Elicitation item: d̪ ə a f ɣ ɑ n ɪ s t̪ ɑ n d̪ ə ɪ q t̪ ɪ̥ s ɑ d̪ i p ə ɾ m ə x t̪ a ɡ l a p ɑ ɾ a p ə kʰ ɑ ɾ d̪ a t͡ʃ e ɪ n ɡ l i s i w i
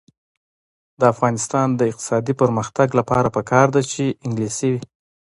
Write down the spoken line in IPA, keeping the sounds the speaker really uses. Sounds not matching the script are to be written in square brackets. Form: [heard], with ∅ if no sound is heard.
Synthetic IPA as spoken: d̪ ə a f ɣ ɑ n ɪ s t̪ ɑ n d̪ ə ɪ q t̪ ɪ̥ s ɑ d̪ i p ə ɾ m ə x t̪ a ɡ l a p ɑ ɾ a p ə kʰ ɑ ɾ d̪ a t͡ʃ e ɪ [ŋ] ɡ l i s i w i